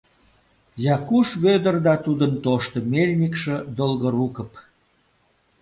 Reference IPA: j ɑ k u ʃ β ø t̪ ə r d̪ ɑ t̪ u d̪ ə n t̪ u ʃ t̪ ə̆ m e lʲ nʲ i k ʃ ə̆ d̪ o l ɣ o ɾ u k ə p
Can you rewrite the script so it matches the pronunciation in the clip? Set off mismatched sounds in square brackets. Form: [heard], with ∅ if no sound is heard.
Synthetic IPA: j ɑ k u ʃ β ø [d̪] ə r d̪ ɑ t̪ u d̪ ə n t̪ [o] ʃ t̪ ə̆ m e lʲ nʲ i k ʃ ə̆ d̪ o l ɣ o ɾ u k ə p